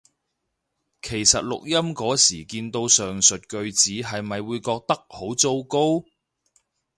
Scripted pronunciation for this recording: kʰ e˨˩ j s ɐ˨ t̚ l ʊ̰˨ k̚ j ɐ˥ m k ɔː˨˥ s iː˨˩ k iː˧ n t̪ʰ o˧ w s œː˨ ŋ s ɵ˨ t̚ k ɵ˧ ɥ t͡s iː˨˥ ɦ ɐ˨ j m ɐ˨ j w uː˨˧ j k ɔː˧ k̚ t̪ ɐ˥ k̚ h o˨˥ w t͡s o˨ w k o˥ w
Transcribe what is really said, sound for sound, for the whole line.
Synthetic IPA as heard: kʰ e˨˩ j s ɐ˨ t̚ l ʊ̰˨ k̚ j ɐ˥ m k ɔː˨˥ s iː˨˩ k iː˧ n t̪ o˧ w s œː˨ ŋ s ɵ˨ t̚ k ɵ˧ ɥ t͡s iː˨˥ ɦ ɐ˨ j m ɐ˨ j w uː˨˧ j k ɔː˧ k̚ t̪ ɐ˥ k̚ h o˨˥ w t͡s o˥ w k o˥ w